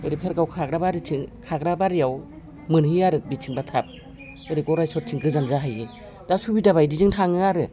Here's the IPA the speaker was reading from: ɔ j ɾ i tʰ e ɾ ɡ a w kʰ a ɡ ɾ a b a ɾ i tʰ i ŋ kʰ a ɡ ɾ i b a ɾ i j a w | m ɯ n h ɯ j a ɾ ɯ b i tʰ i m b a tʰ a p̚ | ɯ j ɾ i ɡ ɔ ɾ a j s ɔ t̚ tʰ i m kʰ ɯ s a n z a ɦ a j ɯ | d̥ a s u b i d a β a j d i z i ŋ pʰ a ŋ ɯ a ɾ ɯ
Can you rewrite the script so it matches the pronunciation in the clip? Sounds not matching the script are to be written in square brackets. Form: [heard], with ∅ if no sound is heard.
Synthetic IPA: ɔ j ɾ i [pʰ] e ɾ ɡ a w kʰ a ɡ ɾ a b a ɾ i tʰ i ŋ kʰ a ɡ ɾ [a] b a ɾ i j a w | m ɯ n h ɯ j a ɾ ɯ b i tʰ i [ŋ] b a tʰ a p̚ | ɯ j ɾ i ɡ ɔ ɾ a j s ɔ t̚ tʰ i [ŋ] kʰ ɯ [z] a n z a ɦ a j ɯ | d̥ a s u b i d a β a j d i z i ŋ [tʰ] a ŋ ɯ a ɾ ɯ

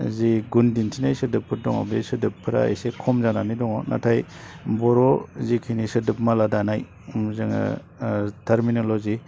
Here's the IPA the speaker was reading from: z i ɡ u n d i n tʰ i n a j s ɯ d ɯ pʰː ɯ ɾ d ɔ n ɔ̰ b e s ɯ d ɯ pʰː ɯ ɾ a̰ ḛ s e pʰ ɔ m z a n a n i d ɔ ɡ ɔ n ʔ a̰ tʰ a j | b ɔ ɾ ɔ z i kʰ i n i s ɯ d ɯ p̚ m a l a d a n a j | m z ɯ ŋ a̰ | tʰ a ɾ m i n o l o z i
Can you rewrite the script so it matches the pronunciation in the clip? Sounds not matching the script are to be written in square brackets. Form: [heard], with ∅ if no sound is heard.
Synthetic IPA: z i ɡ u n d i n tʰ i n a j s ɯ d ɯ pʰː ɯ ɾ d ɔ [ŋ] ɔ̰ b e s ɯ d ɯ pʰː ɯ ɾ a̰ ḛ s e [kʰ] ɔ m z a n a n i d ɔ [ŋ] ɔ n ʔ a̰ tʰ a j | b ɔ ɾ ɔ z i kʰ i n i s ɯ d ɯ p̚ m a l a d a n a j | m z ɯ ŋ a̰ | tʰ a ɾ m i n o l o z i

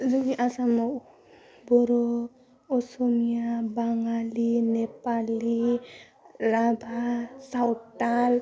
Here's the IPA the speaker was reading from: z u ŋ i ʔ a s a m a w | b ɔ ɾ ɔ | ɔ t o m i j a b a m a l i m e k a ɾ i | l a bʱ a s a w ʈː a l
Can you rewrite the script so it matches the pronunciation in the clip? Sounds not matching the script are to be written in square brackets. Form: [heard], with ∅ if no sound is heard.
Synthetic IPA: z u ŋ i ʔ a s a m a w | b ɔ ɾ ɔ | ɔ [s] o m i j a b a [ŋ] a l i [n] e [p] a [l] i | l a bʱ a s a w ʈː a l

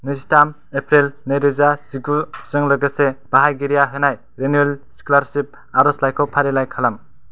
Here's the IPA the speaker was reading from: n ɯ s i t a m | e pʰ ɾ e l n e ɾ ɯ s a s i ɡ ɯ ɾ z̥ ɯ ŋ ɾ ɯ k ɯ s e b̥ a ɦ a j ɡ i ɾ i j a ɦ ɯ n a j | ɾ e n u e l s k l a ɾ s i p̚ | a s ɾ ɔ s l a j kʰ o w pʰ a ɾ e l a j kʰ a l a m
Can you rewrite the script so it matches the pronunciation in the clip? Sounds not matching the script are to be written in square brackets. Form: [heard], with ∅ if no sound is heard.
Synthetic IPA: n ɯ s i t a m | e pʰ ɾ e l n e ɾ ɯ [z] a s i ɡ [u] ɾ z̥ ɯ ŋ [l] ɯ [ɡ] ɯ s e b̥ a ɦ a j ɡ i ɾ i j a ɦ ɯ n a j | ɾ e n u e l s k l a ɾ s i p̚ | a [∅] ɾ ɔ s l a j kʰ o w pʰ a ɾ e l a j kʰ a l a m

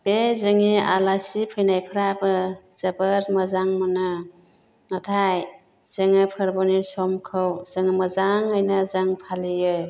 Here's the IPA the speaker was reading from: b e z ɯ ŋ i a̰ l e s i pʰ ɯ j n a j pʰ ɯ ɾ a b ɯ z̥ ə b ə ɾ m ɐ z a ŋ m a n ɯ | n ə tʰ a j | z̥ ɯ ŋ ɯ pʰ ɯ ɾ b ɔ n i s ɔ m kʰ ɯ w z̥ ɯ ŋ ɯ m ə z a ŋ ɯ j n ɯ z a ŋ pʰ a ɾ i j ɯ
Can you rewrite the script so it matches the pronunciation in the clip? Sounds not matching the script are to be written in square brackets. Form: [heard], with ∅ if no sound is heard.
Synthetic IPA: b e z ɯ ŋ i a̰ l [a] s i pʰ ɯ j n a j pʰ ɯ ɾ a b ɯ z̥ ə b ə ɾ m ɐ z a ŋ m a n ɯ | n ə tʰ a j | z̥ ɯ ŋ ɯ pʰ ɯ ɾ b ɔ n i s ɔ m kʰ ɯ w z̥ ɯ ŋ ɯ m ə z a ŋ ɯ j n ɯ z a ŋ pʰ a [l] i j ɯ

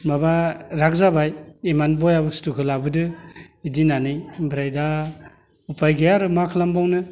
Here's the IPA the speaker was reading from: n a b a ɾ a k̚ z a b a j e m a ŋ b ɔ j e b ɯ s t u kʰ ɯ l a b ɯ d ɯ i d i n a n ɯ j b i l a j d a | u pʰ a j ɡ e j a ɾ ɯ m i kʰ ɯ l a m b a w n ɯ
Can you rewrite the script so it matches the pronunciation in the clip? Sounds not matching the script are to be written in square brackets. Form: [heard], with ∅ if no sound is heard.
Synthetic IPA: [m] a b a ɾ a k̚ z a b a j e m a [n] b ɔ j [a] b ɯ s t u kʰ ɯ l a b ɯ d ɯ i d i n a n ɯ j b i [ɾ] a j d a | u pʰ a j ɡ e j a ɾ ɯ m [a] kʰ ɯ l a m b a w n ɯ

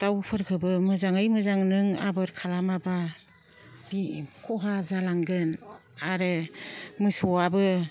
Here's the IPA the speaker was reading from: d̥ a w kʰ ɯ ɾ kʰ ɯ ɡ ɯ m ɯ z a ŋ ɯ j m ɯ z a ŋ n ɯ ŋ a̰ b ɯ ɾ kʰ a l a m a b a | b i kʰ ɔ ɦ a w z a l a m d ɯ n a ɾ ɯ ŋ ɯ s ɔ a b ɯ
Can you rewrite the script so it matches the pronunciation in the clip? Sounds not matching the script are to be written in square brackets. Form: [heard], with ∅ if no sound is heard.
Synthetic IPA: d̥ a w [pʰ] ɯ ɾ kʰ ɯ [b] ɯ m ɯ z a ŋ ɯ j m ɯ z a ŋ n ɯ ŋ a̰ b ɯ ɾ kʰ a l a m a b a | b i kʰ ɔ ɦ a [∅] z a l a [ŋ] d ɯ n a ɾ ɯ [m] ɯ s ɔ a b ɯ

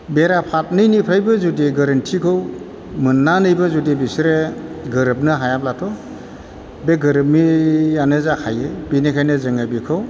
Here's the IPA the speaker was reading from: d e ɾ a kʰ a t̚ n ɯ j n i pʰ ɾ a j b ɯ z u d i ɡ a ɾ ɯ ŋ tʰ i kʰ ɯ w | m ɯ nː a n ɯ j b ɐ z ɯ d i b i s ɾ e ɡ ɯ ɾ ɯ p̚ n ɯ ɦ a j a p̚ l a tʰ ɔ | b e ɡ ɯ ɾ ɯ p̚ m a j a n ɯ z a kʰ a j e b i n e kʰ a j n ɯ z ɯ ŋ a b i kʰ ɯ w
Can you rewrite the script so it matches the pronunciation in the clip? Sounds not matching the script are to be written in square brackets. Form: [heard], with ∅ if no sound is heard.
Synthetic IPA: [b] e ɾ a [pʰ] a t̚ n ɯ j n i pʰ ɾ a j b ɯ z u d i ɡ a ɾ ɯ [n] tʰ i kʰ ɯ w | m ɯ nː a n ɯ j b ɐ z [u] d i b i s ɾ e ɡ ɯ ɾ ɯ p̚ n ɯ ɦ a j a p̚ l a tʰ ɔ | b e ɡ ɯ ɾ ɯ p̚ m [i] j a n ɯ z a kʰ a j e b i n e kʰ a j n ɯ z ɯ ŋ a b i kʰ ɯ w

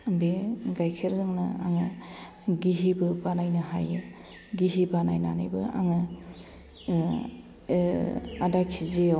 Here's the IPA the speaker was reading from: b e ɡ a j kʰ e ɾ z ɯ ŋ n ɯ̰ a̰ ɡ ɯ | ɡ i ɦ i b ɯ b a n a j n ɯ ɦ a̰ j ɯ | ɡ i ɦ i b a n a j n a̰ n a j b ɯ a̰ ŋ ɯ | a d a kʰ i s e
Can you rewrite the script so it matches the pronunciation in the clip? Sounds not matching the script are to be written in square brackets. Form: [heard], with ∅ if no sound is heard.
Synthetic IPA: b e ɡ a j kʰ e ɾ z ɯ ŋ n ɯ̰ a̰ [ŋ] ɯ | ɡ i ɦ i b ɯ b a n a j n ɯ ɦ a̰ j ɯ | ɡ i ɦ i b a n a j n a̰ n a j b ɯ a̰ ŋ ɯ | a d a kʰ i [z] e

